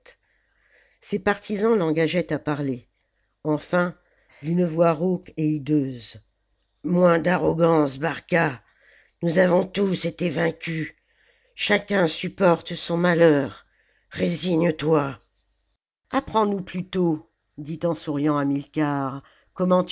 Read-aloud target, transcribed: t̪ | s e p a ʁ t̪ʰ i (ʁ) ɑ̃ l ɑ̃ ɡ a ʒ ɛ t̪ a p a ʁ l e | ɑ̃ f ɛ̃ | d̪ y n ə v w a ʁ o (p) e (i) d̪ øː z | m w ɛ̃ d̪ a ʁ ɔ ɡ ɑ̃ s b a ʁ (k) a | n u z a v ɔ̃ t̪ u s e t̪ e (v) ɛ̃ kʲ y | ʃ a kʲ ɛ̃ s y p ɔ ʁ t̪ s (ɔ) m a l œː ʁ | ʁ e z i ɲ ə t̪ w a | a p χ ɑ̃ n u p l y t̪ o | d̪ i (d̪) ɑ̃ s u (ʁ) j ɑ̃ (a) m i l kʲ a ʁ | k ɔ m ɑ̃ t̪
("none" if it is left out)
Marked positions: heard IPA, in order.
z, k, i, k, v, ɔ̃, t̪, ʁ, a

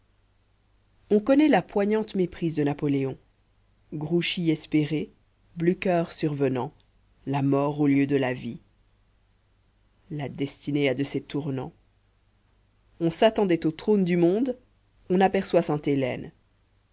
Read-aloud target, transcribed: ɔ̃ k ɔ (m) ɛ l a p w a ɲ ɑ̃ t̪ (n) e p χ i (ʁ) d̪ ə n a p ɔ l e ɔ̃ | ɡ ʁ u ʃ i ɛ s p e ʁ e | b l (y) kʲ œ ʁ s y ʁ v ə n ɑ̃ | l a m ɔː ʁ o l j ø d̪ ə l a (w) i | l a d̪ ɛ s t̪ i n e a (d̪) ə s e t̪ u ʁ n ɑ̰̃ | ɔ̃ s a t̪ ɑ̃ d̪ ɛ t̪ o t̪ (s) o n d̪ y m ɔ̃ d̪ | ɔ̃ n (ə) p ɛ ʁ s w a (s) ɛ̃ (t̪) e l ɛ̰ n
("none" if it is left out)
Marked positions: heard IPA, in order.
n, m, z, y, v, d̪, χ, a, s, t̪

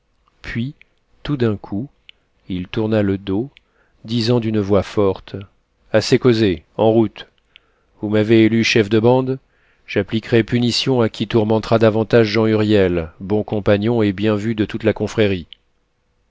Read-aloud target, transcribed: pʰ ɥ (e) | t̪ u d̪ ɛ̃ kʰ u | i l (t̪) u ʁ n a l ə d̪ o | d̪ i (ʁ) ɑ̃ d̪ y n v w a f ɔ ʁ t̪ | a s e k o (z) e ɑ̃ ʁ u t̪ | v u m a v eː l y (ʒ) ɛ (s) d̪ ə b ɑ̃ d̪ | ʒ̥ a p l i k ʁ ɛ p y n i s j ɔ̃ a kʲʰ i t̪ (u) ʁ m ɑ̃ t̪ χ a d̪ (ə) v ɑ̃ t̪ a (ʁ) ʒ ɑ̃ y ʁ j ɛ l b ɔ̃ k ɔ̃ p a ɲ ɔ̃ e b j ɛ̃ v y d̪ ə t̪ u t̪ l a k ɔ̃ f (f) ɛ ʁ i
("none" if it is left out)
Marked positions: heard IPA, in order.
i, t̪, z, z, ʃ, f, u, a, ʒ, χ

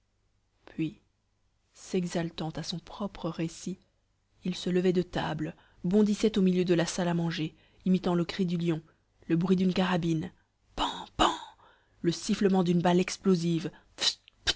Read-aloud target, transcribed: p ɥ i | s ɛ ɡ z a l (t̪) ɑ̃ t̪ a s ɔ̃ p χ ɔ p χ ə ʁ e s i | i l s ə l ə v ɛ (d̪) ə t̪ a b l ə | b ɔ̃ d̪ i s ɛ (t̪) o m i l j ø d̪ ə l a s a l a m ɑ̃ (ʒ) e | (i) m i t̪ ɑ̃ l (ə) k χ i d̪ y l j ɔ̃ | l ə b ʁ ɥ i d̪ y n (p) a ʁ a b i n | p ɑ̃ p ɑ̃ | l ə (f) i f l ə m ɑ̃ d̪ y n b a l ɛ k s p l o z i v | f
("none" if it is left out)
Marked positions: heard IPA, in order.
t̪, d̪, t̪, ʒ, i, ə, k, s

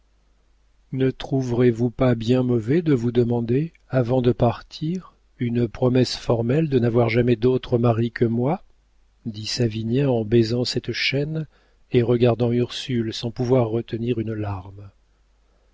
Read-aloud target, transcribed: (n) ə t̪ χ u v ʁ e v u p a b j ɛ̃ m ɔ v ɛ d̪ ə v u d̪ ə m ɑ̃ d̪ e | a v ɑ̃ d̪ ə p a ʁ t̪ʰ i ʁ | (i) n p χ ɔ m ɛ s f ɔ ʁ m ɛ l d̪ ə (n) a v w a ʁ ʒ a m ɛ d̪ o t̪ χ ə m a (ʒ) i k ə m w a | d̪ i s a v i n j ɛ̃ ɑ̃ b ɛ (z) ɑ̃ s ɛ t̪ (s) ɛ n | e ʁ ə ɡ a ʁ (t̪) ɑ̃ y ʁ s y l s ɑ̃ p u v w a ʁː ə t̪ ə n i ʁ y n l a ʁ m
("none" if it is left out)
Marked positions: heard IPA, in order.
n, y, n, ʁ, z, ʃ, d̪

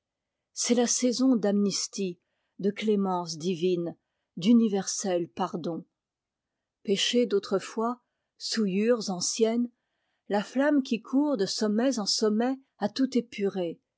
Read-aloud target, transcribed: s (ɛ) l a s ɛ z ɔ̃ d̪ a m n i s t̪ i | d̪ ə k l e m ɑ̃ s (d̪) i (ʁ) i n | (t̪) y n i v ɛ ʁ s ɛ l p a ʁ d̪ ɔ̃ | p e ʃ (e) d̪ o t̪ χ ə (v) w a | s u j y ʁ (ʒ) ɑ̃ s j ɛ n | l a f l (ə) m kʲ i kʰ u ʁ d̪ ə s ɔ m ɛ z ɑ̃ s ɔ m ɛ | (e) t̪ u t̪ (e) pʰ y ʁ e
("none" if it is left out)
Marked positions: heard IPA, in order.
ɛ, d̪, v, d̪, e, f, z, a, a, e

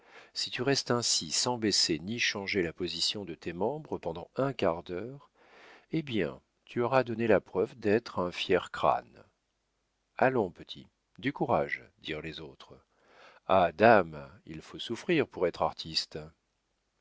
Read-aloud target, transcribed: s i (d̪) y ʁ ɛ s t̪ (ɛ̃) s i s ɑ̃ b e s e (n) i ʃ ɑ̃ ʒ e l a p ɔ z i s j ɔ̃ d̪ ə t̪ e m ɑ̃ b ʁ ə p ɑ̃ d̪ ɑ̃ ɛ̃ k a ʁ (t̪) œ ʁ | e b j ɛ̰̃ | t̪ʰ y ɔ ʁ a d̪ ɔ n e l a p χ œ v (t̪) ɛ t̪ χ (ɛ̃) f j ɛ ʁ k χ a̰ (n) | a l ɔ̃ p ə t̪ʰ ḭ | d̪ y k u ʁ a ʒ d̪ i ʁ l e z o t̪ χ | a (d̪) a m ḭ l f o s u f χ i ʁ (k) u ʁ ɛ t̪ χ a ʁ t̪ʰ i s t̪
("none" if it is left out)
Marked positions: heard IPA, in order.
t̪, ɛ̃, n, d̪, d̪, ɛ̃, n, d̪, p

